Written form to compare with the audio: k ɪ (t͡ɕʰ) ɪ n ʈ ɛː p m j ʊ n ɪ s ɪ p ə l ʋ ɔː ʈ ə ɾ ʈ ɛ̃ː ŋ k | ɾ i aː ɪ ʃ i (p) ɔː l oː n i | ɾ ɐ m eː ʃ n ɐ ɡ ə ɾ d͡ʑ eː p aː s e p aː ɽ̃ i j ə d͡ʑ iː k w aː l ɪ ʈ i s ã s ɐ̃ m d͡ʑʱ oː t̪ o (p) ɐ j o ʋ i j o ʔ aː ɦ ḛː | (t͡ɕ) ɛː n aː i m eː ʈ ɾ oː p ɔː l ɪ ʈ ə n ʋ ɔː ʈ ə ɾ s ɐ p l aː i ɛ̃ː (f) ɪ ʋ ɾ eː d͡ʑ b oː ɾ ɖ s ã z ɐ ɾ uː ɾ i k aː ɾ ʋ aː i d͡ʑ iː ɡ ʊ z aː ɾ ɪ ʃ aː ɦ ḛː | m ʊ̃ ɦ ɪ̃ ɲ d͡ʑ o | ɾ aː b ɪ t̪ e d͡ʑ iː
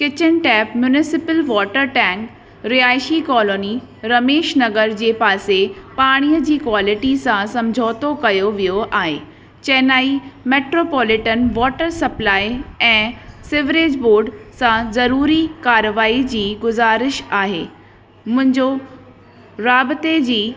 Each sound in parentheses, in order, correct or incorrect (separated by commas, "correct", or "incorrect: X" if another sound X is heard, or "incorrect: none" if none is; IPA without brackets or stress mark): incorrect: t͡ɕ, incorrect: k, incorrect: k, correct, incorrect: s